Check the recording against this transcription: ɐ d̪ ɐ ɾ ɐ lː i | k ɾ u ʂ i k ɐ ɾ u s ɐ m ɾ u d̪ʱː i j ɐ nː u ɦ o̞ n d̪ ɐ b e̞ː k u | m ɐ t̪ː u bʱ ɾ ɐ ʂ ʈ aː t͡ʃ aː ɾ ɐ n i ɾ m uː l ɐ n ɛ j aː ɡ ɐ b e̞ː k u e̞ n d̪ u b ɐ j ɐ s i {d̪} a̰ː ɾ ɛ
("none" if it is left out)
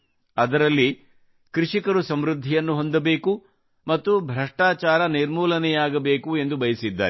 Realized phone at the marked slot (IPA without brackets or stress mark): d̪ː